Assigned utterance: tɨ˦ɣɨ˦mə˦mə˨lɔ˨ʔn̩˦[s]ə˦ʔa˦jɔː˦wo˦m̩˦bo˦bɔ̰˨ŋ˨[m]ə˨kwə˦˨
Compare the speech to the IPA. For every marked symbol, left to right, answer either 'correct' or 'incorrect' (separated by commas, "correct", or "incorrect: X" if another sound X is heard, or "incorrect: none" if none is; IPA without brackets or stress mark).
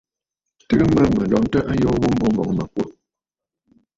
incorrect: t, correct